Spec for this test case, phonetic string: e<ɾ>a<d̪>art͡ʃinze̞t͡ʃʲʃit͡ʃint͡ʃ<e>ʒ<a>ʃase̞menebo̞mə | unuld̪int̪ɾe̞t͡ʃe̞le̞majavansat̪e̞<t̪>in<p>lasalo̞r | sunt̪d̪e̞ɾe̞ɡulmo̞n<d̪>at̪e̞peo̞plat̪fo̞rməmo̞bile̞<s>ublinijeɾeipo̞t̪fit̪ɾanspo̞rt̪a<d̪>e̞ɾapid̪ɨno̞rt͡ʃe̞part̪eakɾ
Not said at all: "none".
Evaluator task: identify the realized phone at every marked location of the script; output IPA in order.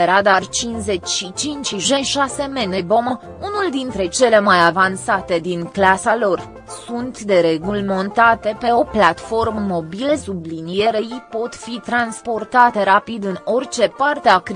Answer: ɾ, d̪, i, e, d̪, k, t̪, s, t̪

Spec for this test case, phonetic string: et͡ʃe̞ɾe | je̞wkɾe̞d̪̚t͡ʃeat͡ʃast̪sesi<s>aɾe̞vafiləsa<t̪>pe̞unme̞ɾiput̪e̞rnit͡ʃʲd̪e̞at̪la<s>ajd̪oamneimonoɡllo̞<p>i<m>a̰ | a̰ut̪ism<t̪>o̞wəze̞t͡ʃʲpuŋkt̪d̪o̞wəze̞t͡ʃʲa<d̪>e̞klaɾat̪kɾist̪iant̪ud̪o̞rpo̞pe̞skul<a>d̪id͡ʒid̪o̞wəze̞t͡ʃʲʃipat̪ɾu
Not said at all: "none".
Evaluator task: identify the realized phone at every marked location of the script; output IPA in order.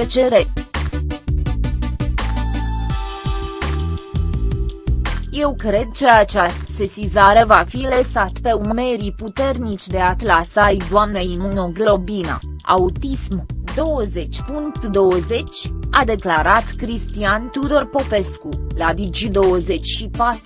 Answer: z, t̪, s, b, n, d̪, d̪, a

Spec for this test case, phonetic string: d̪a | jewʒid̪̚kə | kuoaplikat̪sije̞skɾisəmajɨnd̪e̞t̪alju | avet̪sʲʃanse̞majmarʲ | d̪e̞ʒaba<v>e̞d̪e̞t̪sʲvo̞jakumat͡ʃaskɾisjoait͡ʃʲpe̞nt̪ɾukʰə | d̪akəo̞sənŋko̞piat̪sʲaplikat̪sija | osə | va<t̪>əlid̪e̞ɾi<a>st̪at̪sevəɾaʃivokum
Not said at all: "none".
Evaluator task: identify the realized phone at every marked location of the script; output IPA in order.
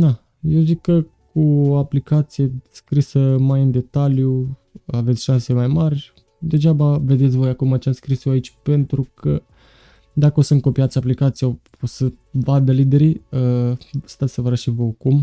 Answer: v, d̪, ə

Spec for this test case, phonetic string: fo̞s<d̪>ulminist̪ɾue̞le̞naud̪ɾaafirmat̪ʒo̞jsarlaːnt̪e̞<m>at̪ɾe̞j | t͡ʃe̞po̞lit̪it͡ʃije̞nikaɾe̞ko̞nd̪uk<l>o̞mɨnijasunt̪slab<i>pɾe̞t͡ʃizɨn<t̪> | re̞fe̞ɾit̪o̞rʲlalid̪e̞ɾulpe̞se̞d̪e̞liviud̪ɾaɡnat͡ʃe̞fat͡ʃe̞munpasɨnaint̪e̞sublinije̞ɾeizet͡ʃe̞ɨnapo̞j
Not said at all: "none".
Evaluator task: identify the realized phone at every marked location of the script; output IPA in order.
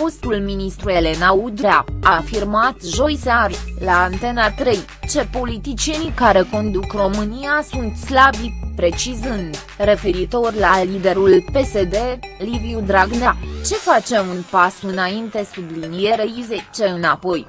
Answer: t̪, n, r, i, d̪

